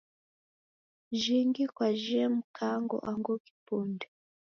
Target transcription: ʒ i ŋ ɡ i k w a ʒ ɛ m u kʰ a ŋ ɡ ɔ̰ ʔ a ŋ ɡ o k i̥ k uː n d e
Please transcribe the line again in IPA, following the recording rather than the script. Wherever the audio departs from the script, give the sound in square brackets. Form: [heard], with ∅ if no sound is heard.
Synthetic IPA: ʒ i ŋ ɡ i k w a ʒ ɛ m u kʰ a ŋ ɡ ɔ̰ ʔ a ŋ ɡ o k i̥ [p] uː n d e